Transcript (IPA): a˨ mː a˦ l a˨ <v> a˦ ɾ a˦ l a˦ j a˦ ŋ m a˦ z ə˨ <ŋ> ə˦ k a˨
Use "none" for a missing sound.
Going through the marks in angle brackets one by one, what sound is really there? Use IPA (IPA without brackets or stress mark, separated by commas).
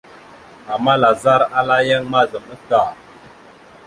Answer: z, m